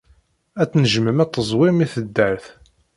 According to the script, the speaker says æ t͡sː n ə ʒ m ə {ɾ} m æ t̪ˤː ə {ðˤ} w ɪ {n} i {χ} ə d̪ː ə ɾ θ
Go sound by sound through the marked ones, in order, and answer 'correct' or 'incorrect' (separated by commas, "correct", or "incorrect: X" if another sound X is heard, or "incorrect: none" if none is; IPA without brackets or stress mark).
incorrect: none, incorrect: zˤ, incorrect: m, incorrect: θ